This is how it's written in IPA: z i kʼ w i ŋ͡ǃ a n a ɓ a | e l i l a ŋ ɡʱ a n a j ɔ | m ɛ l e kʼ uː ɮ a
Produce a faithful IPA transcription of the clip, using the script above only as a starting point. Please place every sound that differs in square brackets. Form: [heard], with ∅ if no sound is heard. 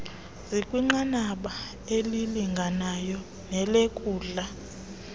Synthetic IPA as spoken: z i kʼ w i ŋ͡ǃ a n a ɓ a | e l i l [i] ŋ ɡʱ a n a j ɔ | [n] ɛ l e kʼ uː ɮ a